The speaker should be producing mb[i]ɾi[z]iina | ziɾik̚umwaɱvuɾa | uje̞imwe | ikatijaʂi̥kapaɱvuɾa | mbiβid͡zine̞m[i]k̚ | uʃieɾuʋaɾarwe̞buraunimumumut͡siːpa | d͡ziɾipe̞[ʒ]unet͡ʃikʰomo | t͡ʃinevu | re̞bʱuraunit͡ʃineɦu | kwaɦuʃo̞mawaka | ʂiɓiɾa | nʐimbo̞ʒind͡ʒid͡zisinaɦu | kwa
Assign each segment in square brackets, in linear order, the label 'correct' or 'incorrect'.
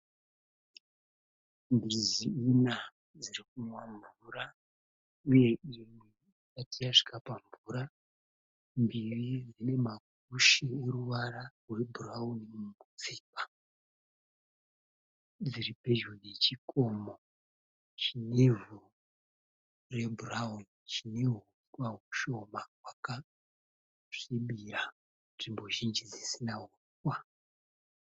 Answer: correct, correct, incorrect, correct

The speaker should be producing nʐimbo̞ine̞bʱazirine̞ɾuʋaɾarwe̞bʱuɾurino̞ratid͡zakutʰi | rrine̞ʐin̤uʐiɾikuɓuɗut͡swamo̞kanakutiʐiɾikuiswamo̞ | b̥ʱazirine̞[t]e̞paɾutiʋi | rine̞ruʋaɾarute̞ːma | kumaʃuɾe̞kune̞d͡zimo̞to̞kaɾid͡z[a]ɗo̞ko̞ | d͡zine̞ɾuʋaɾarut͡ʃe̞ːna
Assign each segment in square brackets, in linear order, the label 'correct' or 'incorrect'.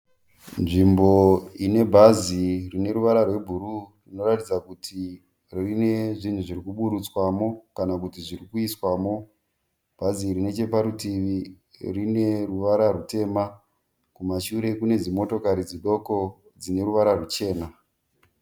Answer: incorrect, incorrect

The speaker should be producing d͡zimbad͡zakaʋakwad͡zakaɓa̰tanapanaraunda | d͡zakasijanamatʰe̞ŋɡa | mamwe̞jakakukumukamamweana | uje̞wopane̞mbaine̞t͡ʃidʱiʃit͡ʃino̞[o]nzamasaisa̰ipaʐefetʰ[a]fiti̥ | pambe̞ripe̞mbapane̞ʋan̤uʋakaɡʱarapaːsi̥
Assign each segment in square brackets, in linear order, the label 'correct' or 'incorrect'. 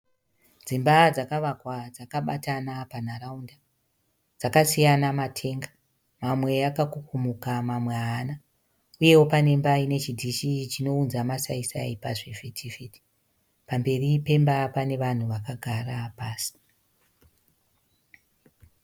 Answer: incorrect, incorrect

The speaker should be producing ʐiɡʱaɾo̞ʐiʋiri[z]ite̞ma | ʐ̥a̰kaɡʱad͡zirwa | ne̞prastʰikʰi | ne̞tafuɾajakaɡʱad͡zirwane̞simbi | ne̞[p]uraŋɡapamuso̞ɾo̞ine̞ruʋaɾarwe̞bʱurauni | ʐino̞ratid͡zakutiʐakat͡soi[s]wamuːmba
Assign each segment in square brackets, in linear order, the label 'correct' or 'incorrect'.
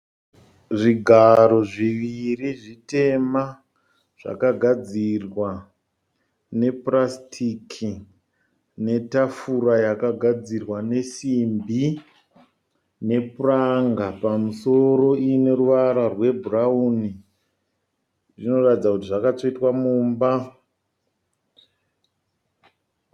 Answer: incorrect, correct, incorrect

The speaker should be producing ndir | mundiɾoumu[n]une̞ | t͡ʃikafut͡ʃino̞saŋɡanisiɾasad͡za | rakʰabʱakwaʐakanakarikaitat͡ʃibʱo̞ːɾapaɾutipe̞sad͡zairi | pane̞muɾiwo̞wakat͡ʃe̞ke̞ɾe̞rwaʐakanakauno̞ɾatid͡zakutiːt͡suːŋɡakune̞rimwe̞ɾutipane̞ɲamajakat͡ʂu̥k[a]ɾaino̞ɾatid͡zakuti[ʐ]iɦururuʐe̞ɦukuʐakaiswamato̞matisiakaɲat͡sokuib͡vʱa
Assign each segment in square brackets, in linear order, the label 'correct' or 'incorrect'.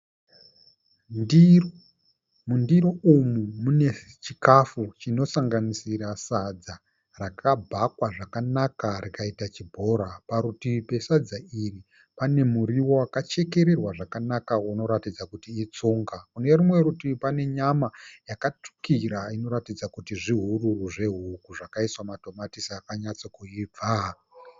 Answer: incorrect, incorrect, correct

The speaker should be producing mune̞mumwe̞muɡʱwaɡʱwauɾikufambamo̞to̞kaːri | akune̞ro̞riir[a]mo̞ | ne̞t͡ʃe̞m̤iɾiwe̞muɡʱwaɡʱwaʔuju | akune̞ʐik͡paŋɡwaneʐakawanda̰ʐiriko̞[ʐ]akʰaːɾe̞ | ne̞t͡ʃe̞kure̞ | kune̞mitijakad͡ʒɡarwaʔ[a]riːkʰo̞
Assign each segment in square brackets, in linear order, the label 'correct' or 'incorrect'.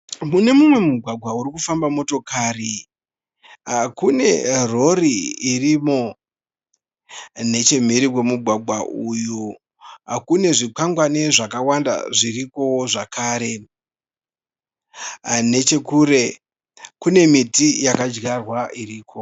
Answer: incorrect, correct, incorrect

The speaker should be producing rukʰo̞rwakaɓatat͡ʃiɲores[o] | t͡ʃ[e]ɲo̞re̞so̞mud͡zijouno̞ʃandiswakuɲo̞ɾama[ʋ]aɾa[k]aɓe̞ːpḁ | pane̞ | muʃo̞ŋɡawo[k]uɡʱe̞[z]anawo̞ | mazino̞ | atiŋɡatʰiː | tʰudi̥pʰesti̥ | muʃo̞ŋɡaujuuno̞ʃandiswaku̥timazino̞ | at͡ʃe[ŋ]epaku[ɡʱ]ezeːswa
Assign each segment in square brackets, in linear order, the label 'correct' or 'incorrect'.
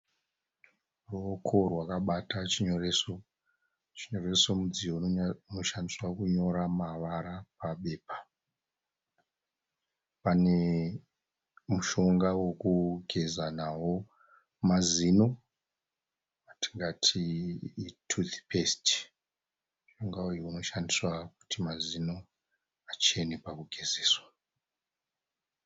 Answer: correct, incorrect, correct, incorrect, correct, correct, incorrect, correct

